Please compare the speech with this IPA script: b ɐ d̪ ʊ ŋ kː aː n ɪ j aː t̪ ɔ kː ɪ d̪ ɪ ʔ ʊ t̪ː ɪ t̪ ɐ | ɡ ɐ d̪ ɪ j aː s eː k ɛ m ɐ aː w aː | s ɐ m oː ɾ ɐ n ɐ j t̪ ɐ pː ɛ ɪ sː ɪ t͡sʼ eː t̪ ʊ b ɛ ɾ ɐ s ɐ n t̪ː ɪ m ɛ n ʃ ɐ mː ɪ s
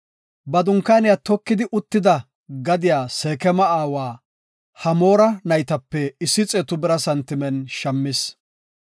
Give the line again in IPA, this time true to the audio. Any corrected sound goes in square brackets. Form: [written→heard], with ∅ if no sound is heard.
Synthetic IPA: b ɐ d̪ ʊ ŋ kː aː n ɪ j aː t̪ ɔ kː ɪ d̪ ɪ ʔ ʊ t̪ː ɪ [t̪→d̪] ɐ | ɡ ɐ d̪ ɪ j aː s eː k ɛ m ɐ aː w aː | [s→h] ɐ m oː ɾ ɐ n ɐ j t̪ ɐ pː ɛ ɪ sː ɪ t͡sʼ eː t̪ ʊ b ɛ ɾ ɐ s ɐ n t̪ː ɪ m ɛ n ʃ ɐ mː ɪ s

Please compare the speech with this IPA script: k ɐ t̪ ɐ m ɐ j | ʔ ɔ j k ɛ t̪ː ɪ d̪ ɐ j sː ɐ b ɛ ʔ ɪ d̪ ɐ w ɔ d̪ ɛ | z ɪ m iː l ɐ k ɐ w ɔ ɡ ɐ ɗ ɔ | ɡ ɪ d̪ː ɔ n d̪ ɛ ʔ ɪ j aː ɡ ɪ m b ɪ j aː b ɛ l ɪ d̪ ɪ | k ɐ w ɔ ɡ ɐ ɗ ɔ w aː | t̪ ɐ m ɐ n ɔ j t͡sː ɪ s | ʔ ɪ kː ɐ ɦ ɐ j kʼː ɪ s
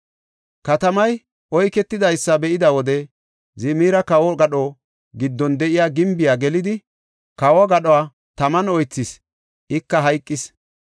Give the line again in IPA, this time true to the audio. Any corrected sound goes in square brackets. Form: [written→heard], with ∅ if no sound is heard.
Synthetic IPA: k ɐ t̪ ɐ m ɐ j | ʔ ɔ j k ɛ t̪ː ɪ d̪ ɐ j sː ɐ b ɛ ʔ ɪ d̪ ɐ w ɔ d̪ ɛ | z ɪ m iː [l→ɾ] ɐ k ɐ w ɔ ɡ ɐ ɗ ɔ | ɡ ɪ d̪ː ɔ n d̪ ɛ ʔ ɪ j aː ɡ ɪ m b ɪ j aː [b→ɡ] ɛ l ɪ d̪ ɪ | k ɐ w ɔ ɡ ɐ ɗ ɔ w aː | t̪ ɐ m ɐ n ɔ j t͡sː ɪ s | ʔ ɪ kː ɐ ɦ ɐ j kʼː ɪ s

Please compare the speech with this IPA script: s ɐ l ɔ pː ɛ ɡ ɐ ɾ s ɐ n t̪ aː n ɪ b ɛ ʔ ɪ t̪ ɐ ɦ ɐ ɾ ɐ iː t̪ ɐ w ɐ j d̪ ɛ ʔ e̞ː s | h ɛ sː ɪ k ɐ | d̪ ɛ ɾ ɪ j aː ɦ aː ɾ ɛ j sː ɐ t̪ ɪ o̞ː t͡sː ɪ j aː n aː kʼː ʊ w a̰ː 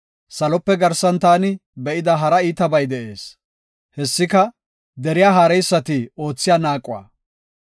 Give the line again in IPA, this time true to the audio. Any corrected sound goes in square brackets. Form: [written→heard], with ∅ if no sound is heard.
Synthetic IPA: s ɐ l ɔ pː ɛ ɡ ɐ ɾ s ɐ n t̪ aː n ɪ b ɛ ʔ ɪ [t̪→d̪] ɐ ɦ ɐ ɾ ɐ iː t̪ ɐ [w→b] ɐ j d̪ ɛ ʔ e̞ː s | h ɛ sː ɪ k ɐ | d̪ ɛ ɾ ɪ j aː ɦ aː ɾ ɛ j sː ɐ t̪ ɪ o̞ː t͡sː ɪ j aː n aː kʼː ʊ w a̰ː

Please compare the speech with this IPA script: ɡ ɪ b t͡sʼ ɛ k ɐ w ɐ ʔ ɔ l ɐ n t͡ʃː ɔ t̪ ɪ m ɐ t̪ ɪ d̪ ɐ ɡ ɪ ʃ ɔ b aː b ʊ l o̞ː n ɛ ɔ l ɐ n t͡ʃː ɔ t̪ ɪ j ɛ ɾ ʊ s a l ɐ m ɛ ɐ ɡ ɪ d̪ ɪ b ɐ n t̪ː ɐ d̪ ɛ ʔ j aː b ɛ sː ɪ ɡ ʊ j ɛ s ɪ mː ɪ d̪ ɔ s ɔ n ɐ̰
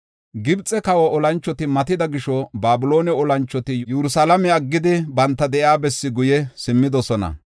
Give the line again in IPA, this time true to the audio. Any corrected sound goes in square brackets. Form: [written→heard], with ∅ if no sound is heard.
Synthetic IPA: ɡ ɪ b t͡sʼ ɛ k ɐ w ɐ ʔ ɔ l ɐ n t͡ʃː ɔ t̪ ɪ m ɐ t̪ ɪ d̪ ɐ ɡ ɪ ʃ ɔ b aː b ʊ l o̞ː n ɛ ɔ l ɐ n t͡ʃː ɔ t̪ ɪ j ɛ ɾ ʊ s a l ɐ m ɛ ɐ [ɡ→ɡː] ɪ d̪ ɪ b ɐ n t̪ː ɐ d̪ ɛ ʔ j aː b ɛ sː ɪ ɡ ʊ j ɛ s ɪ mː ɪ d̪ ɔ s ɔ n ɐ̰

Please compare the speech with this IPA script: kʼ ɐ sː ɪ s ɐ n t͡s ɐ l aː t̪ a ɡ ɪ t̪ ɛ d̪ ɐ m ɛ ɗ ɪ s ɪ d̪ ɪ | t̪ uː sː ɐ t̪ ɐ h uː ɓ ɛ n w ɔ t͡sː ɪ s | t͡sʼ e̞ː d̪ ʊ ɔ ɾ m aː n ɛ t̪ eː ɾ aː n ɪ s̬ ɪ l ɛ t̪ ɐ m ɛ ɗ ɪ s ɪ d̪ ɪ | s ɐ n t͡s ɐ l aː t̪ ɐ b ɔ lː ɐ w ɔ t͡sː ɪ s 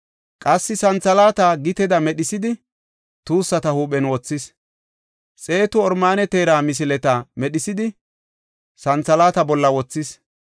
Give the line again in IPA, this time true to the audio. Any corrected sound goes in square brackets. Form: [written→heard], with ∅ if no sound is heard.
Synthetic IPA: kʼ ɐ sː ɪ s ɐ n t͡s ɐ l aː t̪ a ɡ ɪ t̪ ɛ d̪ ɐ m ɛ ɗ ɪ s ɪ d̪ ɪ | t̪ uː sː ɐ t̪ ɐ h uː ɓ ɛ n w ɔ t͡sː ɪ s | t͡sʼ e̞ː [d̪→t̪] ʊ ɔ ɾ m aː n ɛ t̪ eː ɾ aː [n→m] ɪ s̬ ɪ l ɛ t̪ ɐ m ɛ ɗ ɪ s ɪ d̪ ɪ | s ɐ n t͡s ɐ l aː t̪ ɐ b ɔ lː ɐ w ɔ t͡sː ɪ s

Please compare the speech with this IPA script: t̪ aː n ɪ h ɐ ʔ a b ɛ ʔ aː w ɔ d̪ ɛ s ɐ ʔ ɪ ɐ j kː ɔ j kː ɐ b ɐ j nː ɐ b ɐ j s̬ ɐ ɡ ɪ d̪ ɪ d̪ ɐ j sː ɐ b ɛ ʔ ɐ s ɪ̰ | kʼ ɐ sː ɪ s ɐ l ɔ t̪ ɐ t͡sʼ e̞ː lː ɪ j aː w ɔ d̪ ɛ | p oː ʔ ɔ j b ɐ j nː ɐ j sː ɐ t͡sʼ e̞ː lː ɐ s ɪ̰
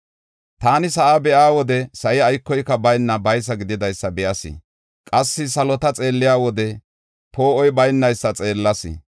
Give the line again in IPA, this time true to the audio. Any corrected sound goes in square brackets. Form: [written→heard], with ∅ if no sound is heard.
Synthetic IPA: t̪ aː n ɪ [h→s] ɐ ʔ a b ɛ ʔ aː w ɔ d̪ ɛ s ɐ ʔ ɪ ɐ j kː ɔ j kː ɐ b ɐ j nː ɐ b ɐ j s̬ ɐ ɡ ɪ d̪ ɪ d̪ ɐ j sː ɐ b ɛ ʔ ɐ s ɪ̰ | kʼ ɐ sː ɪ s ɐ l ɔ t̪ ɐ t͡sʼ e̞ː lː ɪ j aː w ɔ d̪ ɛ | p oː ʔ ɔ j b ɐ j nː ɐ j sː ɐ t͡sʼ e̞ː lː ɐ s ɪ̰

